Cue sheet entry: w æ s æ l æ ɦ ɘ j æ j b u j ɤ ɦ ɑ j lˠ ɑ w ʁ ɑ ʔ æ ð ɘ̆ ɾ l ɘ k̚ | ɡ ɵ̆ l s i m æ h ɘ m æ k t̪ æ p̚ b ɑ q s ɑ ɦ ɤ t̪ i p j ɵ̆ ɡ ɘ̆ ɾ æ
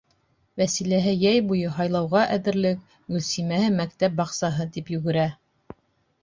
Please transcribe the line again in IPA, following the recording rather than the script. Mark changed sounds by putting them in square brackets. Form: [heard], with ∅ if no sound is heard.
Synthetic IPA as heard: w æ s [i] l æ ɦ ɘ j æ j b u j ɤ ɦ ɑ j lˠ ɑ w ʁ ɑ ʔ æ ð ɘ̆ ɾ l ɘ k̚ | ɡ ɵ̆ l s i m æ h ɘ m æ k t̪ æ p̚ b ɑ q s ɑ ɦ ɤ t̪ i p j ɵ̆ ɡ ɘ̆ ɾ æ